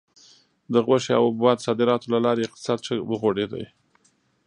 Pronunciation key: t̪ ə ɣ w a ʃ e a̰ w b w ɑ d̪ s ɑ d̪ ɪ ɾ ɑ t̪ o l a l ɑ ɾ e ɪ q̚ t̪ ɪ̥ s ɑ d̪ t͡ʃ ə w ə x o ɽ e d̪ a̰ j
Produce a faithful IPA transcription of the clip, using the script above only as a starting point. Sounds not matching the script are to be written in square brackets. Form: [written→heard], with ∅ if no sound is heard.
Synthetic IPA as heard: [t̪→d̪] ə ɣ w a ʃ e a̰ w b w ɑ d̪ s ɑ d̪ ɪ ɾ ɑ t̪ o l a l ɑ ɾ e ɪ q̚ t̪ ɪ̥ s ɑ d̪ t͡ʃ ə w ə [x→ɣ] o ɽ e d̪ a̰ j